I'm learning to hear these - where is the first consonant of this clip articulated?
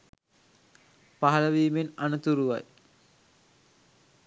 lips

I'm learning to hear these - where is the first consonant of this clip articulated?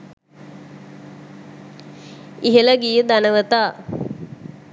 throat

